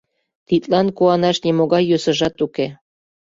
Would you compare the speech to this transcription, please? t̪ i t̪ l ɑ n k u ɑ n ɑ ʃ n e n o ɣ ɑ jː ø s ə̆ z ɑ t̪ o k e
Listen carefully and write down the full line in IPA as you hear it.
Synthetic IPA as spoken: t̪ i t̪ l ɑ n k u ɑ n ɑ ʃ n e m o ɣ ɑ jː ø s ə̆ ʒ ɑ t̪ u k e